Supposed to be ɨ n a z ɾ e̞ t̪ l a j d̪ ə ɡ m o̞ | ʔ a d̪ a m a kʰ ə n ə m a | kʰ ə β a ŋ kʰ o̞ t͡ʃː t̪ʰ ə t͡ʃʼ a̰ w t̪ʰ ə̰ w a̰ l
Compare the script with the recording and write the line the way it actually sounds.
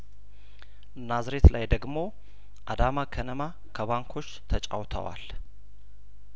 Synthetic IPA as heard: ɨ n a z ɾ e̞ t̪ l a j d̪ ə ɡ m o̞ | ʔ a d̪ a m a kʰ ə n ə m a | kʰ ə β a ŋ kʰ o̞ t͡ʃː t̪ʰ ə t͡ʃʼ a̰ w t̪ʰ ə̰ w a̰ l